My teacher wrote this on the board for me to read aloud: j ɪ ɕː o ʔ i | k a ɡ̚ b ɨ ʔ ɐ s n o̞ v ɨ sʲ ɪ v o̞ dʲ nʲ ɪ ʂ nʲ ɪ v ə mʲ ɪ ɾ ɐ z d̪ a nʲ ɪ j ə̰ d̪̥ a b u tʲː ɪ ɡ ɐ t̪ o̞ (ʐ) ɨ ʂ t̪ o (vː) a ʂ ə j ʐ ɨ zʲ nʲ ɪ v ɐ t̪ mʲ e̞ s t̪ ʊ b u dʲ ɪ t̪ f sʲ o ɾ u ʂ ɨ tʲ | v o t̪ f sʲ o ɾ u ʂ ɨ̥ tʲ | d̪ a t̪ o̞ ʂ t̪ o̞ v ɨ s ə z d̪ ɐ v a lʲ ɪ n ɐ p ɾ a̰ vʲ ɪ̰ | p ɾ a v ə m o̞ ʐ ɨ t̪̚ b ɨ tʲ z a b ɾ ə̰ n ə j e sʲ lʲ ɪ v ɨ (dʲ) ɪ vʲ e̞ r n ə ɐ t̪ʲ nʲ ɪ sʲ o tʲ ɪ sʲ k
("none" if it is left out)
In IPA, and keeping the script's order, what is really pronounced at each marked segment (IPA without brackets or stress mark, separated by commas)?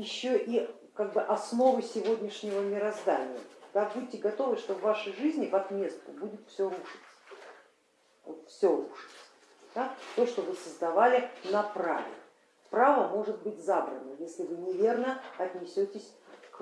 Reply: v, vː, nʲ